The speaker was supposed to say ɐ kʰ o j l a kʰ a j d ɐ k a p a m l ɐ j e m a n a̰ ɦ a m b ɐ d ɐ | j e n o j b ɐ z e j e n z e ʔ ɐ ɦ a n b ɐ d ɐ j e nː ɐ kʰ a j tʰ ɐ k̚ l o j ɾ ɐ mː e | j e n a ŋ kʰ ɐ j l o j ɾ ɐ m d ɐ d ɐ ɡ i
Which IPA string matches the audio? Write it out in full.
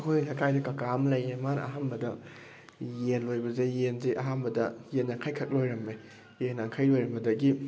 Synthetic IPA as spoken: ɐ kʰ o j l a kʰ a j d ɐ k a k a m l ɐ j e m a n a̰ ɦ a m b ɐ d ɐ | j e n o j b ɐ z e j e n z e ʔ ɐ ɦ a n b ɐ d ɐ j e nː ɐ kʰ a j kʰ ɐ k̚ l o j ɾ ɐ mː e | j e n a ŋ kʰ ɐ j l o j ɾ ɐ m b ɐ d ɐ ɡ i